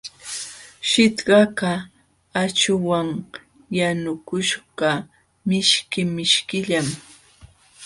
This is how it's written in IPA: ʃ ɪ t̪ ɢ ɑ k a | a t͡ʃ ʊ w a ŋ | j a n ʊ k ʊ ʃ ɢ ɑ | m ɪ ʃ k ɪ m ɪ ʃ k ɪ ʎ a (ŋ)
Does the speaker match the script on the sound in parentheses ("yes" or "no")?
no